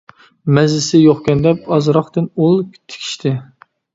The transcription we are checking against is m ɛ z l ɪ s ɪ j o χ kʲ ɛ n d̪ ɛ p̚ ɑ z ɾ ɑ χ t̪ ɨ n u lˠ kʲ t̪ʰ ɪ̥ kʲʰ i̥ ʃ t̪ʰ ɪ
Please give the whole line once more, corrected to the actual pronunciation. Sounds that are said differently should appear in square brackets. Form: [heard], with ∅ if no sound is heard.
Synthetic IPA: m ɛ z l ɪ s ɪ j o χ kʲ ɛ n d̪ ɛ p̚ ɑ z ɾ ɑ χ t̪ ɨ n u lˠ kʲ t̪ʰ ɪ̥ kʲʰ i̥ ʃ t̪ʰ ɪ